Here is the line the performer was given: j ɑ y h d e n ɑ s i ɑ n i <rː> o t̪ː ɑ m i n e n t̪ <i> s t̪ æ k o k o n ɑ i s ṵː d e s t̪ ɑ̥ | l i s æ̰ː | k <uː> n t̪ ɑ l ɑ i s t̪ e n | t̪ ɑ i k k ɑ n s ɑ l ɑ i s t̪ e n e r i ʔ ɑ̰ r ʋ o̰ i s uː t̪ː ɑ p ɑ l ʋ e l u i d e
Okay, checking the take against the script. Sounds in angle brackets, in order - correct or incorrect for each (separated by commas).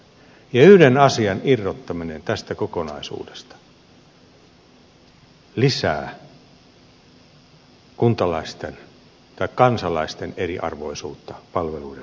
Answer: correct, incorrect, incorrect